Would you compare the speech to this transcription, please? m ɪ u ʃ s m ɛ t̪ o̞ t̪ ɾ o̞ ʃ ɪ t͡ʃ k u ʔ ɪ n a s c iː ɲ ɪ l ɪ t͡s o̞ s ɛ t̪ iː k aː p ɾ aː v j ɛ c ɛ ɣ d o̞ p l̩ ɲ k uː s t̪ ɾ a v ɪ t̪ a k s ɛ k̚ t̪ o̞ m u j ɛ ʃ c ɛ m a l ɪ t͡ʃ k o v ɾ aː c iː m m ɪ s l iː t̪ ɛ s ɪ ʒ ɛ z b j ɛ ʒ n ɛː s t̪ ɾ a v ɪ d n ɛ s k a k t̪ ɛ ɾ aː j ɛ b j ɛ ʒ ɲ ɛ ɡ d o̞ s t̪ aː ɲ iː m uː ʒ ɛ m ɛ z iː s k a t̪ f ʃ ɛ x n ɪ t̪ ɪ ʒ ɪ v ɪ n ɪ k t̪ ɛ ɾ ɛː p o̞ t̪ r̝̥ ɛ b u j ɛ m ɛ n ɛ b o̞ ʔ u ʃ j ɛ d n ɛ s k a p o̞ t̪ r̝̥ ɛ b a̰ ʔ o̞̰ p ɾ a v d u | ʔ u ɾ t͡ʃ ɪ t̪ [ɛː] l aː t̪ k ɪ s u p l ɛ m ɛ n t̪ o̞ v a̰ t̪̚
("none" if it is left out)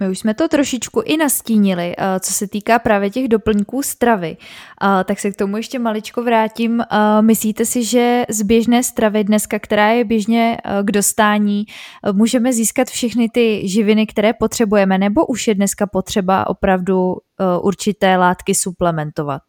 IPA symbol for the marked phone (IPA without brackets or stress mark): ɛː